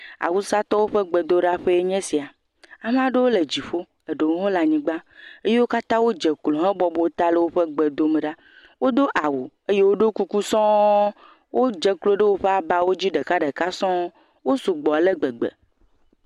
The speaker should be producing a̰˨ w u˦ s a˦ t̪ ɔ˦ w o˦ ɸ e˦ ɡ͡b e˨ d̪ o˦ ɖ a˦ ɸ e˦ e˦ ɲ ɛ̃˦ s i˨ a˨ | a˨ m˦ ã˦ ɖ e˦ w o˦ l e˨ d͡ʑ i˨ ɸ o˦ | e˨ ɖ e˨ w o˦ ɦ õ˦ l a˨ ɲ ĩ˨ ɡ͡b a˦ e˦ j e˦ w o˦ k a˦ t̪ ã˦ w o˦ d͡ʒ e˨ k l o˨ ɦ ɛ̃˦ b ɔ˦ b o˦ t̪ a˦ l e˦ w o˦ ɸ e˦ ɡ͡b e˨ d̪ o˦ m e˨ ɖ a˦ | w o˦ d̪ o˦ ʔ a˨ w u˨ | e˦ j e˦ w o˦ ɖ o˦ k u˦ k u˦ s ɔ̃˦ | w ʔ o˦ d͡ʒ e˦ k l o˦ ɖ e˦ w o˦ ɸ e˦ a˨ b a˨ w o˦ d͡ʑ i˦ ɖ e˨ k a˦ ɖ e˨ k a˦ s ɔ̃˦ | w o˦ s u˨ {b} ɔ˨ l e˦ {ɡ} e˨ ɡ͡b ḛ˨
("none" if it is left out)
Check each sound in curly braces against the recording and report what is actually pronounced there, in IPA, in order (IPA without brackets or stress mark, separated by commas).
ɡ͡b, ɡ͡b